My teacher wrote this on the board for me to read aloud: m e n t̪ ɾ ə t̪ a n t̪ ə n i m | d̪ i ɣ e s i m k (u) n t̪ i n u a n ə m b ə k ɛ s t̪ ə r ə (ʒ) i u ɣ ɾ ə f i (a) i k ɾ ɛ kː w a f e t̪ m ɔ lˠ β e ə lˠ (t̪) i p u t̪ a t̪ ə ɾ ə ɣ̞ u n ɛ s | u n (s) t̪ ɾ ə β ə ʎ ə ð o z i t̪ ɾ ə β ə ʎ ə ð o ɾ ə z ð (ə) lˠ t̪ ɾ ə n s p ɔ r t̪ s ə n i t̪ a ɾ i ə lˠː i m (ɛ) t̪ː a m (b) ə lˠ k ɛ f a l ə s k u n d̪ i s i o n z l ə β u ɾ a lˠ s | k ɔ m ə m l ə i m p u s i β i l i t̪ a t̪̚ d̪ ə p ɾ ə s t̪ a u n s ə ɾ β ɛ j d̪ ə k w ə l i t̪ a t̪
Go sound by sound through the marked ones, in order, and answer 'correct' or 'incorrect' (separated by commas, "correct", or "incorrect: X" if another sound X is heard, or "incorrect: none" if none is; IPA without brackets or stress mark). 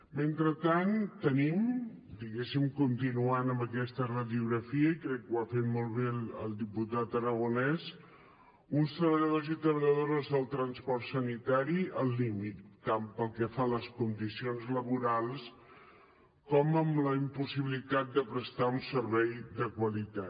correct, incorrect: ð, incorrect: ə, incorrect: d̪, correct, correct, incorrect: i, incorrect: p